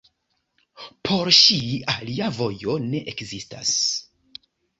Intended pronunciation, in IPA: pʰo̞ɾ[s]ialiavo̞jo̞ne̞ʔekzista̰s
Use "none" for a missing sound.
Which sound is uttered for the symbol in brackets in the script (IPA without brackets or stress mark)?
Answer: ʃ